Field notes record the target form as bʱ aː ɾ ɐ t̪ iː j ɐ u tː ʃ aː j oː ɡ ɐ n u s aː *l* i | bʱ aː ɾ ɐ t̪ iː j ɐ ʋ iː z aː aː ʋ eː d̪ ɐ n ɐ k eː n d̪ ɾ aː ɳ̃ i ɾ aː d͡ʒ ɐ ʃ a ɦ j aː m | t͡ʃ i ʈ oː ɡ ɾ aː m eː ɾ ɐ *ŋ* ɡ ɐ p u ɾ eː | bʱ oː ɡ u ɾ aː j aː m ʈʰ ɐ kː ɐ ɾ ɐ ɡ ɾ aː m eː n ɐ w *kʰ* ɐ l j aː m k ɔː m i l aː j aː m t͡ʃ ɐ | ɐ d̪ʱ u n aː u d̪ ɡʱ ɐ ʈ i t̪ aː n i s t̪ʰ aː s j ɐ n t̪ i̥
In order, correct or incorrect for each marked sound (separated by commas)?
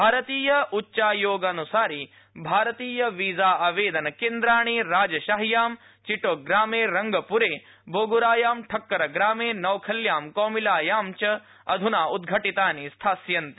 incorrect, correct, correct